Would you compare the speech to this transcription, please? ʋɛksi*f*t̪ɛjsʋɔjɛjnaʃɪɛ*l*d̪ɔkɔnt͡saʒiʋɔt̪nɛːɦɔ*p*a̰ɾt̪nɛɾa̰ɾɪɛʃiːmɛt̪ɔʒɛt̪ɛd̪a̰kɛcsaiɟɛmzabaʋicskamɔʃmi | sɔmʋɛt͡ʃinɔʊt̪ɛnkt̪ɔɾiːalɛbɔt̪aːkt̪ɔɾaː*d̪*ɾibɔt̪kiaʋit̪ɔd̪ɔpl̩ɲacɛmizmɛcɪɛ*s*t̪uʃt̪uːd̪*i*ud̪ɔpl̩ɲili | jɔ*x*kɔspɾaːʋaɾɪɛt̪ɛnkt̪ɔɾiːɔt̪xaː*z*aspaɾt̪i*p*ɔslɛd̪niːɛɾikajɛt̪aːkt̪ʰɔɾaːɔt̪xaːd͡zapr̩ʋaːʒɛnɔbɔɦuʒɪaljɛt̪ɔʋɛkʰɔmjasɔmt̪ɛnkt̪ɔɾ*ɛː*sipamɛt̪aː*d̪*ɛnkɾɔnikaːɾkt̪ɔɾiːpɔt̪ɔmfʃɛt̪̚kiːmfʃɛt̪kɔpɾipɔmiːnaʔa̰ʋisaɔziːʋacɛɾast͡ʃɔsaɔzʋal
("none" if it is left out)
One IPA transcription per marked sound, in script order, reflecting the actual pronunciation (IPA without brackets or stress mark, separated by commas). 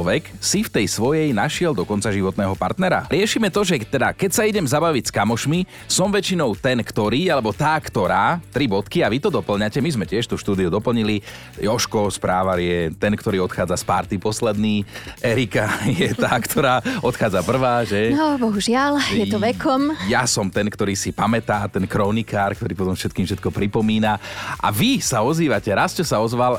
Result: f, l, p, t̪, ʃ, i, ʃ, d͡z, p, iː, t̪